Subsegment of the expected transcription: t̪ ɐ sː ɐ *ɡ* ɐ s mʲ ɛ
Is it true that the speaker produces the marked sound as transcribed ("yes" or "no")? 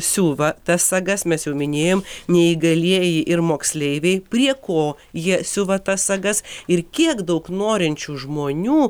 yes